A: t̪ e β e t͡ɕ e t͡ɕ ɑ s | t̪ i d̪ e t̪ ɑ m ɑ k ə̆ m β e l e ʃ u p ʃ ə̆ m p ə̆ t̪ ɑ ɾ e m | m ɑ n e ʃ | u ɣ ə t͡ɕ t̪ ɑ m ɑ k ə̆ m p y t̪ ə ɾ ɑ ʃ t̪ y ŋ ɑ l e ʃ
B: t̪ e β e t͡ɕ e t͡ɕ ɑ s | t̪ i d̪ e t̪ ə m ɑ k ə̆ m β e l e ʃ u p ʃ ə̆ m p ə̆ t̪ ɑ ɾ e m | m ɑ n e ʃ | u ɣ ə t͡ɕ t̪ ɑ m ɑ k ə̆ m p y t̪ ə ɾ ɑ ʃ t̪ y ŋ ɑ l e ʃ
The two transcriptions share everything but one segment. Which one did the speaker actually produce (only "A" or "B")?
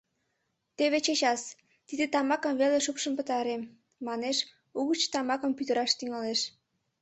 A